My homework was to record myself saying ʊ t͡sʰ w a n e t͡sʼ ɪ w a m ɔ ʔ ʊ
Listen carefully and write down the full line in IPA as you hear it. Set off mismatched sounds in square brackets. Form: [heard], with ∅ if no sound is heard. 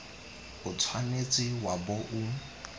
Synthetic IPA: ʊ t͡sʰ w a n e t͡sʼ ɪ w a [b] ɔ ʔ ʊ

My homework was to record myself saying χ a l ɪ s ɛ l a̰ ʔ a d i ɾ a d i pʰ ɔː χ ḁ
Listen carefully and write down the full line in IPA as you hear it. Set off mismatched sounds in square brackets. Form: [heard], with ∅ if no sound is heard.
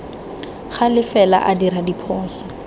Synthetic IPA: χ a l ɪ [f] ɛ l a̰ ʔ a d i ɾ a d i pʰ ɔː [s] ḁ

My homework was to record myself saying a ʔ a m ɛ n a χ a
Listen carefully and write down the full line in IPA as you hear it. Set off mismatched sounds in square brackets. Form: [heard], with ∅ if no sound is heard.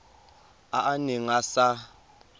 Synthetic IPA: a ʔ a [n] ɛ [ŋ] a [s] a

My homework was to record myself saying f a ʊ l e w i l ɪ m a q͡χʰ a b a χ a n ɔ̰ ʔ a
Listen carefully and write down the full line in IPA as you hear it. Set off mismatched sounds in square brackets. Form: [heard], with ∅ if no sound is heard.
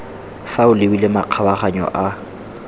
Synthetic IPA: f a ʊ l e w i l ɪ m a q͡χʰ a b a χ a [ɲ] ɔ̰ ʔ a

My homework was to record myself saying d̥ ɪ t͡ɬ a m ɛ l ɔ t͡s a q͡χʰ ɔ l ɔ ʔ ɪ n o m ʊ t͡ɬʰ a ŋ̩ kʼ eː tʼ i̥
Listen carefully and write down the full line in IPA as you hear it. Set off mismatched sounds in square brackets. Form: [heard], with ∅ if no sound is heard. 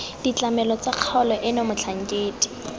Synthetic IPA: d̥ [i] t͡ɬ a m ɛ l ɔ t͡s a q͡χʰ ɔ l ɔ ʔ ɪ n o m ʊ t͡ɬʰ a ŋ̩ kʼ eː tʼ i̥

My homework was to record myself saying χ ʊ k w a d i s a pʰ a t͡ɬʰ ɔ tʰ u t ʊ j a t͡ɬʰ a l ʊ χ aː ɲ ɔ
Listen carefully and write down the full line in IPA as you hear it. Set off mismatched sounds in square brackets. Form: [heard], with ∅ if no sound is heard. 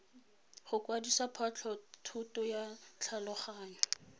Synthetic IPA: χ ʊ k w a d i s a pʰ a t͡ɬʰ ɔ tʰ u t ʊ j a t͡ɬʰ a l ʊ χ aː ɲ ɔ

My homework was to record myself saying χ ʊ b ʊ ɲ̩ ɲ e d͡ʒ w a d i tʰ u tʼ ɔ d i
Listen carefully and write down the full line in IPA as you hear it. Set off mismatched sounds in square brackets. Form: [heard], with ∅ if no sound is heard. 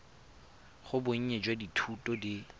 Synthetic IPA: χ ʊ b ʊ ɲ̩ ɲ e d͡ʒ w a d i tʰ u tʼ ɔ d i

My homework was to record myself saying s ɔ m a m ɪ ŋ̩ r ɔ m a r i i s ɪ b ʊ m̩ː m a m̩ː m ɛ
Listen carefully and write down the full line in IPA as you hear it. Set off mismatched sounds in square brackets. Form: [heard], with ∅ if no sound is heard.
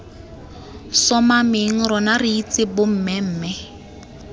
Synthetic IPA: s ɔ m a m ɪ ŋ̩ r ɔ [n] a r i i [t͡s] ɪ b ʊ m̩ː m [ɛ] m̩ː m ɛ

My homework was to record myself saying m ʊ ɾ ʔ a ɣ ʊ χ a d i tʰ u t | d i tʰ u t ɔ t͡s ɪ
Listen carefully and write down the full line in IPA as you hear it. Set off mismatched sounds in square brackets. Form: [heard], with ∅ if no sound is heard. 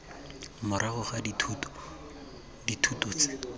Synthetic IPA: m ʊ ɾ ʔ a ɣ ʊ χ a d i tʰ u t | d i tʰ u t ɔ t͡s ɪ

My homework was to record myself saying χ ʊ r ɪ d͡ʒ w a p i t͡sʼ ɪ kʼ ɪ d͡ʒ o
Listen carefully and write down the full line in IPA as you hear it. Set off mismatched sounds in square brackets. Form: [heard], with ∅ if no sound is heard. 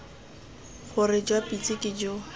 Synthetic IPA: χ ʊ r ɪ d͡ʒ w a p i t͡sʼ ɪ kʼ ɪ d͡ʒ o

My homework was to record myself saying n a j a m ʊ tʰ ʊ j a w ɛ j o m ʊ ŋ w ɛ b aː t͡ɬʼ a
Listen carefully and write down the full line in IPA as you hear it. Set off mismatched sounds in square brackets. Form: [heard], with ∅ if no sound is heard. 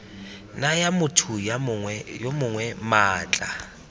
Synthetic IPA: n a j a m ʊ tʰ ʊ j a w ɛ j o m ʊ ŋ w ɛ [m] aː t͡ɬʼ a

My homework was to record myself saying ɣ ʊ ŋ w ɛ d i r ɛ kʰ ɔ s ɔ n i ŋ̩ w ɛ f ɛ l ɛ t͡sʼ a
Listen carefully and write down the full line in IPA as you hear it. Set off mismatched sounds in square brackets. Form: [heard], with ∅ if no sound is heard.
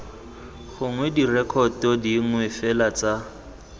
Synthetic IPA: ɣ ʊ ŋ w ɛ d i r ɛ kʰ ɔ [t] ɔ [d] i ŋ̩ w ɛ f ɛ l [a] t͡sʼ a

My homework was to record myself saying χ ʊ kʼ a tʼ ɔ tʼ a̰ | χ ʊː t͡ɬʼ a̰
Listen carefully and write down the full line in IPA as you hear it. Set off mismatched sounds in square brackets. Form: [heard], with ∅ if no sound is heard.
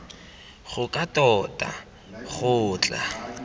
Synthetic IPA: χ ʊ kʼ a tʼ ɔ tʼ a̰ | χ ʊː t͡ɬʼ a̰

